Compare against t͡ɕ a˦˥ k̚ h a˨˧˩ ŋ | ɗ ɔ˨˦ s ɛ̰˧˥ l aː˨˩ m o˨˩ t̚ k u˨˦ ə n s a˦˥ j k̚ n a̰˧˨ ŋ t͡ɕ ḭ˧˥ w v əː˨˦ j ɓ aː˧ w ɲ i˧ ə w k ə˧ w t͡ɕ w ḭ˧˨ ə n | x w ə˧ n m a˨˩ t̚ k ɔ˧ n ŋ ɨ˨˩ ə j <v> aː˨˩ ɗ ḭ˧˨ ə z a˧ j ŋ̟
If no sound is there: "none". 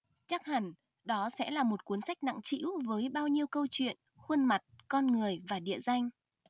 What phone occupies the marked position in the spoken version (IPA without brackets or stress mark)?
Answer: v